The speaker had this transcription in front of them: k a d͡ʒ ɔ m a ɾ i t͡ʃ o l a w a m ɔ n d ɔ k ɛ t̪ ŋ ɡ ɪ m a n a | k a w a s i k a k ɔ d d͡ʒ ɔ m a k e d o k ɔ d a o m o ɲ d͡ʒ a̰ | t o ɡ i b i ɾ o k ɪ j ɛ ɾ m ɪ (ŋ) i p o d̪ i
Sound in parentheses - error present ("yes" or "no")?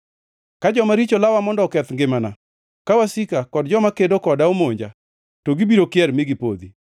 yes